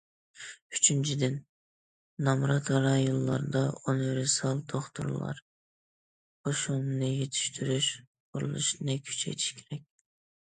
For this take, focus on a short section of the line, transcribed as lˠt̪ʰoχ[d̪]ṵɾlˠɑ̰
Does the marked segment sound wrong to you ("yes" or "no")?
yes